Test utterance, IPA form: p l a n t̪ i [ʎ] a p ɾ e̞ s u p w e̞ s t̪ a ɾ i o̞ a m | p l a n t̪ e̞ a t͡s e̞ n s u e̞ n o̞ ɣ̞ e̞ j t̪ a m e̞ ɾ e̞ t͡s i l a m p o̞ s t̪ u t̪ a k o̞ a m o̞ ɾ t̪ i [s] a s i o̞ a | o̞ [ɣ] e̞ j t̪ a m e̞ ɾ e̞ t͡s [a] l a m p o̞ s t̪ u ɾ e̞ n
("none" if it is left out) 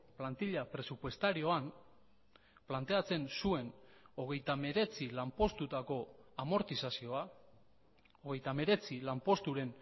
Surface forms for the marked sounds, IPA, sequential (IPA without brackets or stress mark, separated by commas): ʎ, s, ɣ, i